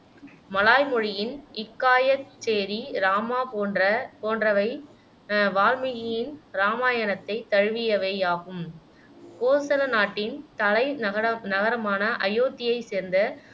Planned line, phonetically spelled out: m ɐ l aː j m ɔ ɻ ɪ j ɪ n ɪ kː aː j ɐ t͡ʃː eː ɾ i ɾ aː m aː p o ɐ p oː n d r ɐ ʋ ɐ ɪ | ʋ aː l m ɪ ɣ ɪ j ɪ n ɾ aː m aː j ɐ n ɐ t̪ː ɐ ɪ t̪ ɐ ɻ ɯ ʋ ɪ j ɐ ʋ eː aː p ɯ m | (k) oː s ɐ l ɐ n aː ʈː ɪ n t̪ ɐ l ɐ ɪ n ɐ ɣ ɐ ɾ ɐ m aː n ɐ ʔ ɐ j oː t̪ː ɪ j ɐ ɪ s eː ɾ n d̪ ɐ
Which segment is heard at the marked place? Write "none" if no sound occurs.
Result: k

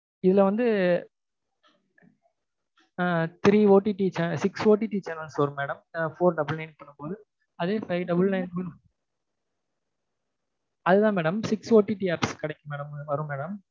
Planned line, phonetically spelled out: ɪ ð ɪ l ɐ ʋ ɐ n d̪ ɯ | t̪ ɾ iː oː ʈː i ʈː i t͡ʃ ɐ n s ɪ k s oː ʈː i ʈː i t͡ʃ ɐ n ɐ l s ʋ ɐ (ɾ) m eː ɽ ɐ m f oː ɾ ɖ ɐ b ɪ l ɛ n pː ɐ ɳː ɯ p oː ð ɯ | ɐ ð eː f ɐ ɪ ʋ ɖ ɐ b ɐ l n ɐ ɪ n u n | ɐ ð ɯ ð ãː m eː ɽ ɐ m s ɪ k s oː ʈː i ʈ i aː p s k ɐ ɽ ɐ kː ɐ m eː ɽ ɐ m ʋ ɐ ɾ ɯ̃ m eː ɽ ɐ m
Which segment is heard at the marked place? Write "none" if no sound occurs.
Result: ɾ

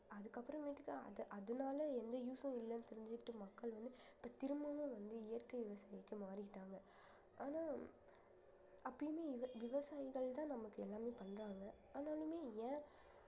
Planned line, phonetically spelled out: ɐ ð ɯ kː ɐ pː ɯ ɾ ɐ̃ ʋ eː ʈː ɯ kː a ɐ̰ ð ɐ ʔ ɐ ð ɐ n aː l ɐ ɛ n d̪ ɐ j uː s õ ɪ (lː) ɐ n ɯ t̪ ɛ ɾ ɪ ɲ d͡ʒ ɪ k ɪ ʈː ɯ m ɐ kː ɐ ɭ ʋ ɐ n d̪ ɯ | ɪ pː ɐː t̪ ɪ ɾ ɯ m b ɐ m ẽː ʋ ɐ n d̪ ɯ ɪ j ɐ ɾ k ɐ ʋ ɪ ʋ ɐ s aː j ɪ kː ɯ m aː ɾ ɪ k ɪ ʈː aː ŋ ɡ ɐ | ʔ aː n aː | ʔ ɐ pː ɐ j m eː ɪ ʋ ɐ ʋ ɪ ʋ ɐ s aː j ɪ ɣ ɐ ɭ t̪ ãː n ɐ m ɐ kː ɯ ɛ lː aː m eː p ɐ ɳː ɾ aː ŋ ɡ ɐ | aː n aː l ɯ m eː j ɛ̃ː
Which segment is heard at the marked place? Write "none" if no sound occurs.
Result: lː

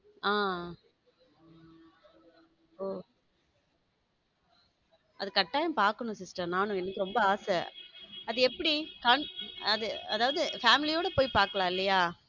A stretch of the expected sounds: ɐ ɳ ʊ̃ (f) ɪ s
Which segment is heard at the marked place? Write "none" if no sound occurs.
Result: s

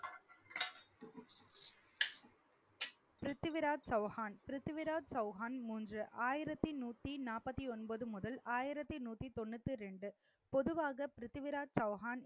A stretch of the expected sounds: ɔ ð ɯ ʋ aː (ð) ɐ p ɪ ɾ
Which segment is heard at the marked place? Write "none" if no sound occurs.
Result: ɣ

